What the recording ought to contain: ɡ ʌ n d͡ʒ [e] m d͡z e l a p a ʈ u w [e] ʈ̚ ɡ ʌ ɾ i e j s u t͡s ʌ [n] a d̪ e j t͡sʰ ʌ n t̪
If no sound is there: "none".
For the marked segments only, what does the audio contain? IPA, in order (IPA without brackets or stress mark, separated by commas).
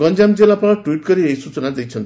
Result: a, i, n